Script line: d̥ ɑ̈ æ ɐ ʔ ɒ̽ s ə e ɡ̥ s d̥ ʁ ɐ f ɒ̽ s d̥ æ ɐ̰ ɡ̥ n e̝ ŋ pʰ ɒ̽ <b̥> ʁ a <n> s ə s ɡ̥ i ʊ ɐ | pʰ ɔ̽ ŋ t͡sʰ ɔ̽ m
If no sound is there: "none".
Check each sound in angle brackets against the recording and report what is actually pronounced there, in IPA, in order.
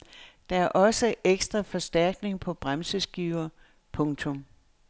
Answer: b̥, m

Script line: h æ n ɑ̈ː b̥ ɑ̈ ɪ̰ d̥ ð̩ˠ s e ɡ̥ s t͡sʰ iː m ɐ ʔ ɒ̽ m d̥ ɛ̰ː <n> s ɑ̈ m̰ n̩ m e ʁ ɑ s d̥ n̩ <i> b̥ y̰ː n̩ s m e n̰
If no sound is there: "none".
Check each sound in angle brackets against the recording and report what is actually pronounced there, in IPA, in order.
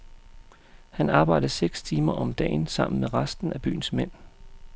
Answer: n, æ

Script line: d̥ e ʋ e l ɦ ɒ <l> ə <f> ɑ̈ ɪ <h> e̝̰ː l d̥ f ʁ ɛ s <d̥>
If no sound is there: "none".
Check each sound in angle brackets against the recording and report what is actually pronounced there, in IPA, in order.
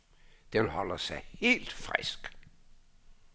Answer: l, s, h, ɡ̥

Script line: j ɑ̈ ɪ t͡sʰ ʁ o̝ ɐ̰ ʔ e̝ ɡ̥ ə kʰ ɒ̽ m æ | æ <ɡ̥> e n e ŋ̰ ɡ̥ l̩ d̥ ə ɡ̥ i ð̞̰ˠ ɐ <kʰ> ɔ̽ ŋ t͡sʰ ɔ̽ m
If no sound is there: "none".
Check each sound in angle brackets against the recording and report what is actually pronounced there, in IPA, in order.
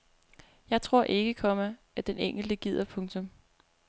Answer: d̥, pʰ

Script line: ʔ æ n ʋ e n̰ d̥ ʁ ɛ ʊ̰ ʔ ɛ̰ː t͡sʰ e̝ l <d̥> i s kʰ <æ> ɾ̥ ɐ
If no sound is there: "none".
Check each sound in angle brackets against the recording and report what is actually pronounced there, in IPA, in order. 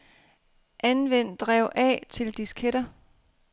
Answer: d̥, e

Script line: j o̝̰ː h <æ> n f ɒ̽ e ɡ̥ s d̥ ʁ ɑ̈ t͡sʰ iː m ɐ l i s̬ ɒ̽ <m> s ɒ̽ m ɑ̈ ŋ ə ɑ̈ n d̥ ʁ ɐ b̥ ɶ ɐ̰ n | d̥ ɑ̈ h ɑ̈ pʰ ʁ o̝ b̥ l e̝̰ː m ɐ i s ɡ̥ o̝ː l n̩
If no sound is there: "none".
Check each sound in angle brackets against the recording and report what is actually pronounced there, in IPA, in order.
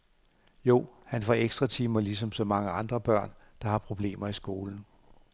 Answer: æ, m

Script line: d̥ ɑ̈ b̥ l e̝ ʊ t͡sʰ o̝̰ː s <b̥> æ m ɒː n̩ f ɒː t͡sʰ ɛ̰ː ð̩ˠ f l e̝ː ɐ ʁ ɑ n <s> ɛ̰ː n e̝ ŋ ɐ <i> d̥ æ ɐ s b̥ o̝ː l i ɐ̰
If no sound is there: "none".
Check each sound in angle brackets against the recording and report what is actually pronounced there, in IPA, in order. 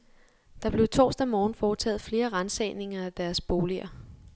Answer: d̥, s, æ

